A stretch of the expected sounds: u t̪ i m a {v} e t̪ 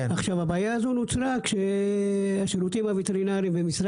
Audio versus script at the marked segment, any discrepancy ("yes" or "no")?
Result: no